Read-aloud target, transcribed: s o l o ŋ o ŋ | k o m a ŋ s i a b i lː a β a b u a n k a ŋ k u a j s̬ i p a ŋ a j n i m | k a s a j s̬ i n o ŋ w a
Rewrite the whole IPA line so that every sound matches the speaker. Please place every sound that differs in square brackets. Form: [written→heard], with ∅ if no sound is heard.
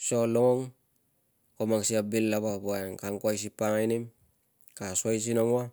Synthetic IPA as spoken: s o l o ŋ o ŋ | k o m a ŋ s i a b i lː a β a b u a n k a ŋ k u a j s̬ i p a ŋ a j n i m | k a s a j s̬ i n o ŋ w a